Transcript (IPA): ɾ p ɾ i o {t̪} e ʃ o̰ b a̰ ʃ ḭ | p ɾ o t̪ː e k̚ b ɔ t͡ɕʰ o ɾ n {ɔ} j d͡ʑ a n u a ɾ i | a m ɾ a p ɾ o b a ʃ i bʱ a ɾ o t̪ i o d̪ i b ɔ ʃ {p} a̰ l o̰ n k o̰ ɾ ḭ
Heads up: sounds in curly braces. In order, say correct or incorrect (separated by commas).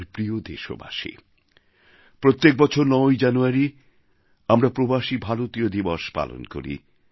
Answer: incorrect, correct, correct